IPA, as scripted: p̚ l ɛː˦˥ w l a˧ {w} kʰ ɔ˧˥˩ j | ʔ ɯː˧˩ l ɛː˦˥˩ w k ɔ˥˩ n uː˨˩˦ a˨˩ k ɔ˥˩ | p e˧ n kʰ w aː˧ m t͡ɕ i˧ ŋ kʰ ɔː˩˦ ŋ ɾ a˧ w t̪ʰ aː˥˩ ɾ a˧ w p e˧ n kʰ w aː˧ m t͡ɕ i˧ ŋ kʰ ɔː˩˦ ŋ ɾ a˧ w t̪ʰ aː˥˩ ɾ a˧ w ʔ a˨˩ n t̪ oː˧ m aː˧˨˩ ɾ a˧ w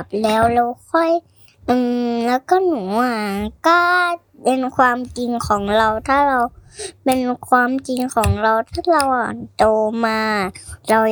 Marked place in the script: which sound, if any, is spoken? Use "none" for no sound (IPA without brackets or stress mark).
w